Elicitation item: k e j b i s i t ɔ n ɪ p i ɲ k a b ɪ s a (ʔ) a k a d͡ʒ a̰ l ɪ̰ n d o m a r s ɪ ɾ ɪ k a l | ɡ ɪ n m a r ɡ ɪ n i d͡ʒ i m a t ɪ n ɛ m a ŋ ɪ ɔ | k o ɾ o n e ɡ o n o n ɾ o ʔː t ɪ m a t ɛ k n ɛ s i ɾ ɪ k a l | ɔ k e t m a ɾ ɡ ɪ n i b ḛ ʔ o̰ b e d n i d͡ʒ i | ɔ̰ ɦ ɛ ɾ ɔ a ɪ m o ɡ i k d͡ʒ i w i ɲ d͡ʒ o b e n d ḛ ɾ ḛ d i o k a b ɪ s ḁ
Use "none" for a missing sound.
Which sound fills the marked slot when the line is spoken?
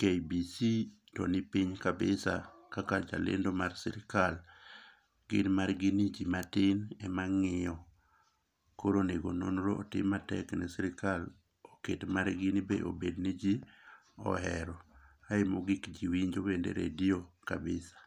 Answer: k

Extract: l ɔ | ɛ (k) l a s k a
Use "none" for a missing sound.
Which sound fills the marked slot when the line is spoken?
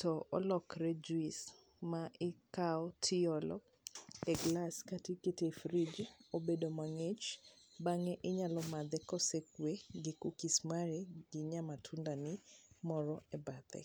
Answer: ɡ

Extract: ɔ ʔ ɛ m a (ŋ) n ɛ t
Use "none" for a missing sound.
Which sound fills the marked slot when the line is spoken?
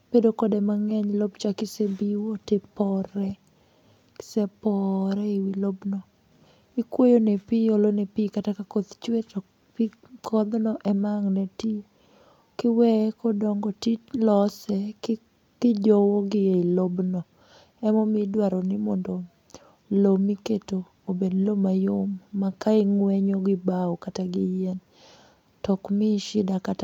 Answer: ŋ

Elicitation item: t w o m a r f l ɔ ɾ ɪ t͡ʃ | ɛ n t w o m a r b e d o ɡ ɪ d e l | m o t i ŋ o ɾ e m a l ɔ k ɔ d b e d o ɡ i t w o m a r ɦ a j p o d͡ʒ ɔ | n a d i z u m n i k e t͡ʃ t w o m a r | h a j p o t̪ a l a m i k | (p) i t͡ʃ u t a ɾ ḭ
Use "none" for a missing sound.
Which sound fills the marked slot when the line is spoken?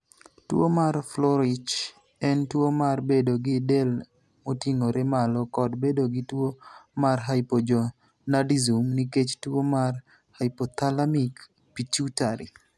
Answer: p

